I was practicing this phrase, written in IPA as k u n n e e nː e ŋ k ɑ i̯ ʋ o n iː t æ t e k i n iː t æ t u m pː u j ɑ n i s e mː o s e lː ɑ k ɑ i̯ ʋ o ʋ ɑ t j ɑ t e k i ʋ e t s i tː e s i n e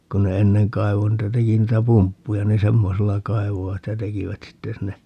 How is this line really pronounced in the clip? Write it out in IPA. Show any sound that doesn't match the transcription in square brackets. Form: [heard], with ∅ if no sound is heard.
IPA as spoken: k u n n e e nː e ŋ k ɑ i̯ ʋ o n iː t æ t e k i n iː t æ [p] u m pː u j ɑ n i s e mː o s e lː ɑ k ɑ i̯ ʋ o ʋ ɑ t j ɑ t e k i ʋ [æ] t s i tː e s i [nː] e